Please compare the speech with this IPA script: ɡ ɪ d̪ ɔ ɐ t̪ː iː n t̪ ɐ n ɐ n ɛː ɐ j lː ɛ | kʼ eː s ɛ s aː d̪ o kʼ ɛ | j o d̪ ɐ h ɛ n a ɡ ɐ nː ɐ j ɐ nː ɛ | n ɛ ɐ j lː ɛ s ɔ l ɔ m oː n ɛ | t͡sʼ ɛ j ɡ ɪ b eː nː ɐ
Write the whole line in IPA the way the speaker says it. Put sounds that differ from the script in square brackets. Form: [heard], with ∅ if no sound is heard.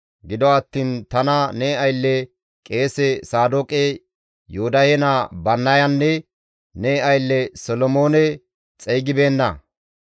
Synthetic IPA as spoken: ɡ ɪ d̪ ɔ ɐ t̪ː iː n t̪ ɐ n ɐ n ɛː ɐ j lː ɛ | kʼ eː s ɛ s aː d̪ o kʼ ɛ | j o d̪ ɐ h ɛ n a [b] ɐ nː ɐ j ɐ nː ɛ | n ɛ ɐ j lː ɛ s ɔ l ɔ m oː n ɛ | t͡sʼ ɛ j ɡ ɪ b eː nː ɐ